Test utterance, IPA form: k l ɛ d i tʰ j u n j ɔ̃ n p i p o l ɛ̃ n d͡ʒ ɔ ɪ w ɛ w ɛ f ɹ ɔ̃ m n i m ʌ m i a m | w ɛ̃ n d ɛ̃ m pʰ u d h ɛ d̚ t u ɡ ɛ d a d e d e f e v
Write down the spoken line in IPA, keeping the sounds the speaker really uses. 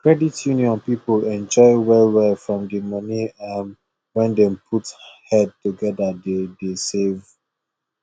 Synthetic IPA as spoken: k ɹ ɛ d i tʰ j u n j ɔ̃ n p i p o l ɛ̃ n d͡ʒ ɔ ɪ w ɛ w ɛ f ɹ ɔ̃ m d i m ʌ n i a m | w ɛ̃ n d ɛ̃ m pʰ u t h ɛ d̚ t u ɡ ɛ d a d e d e s e v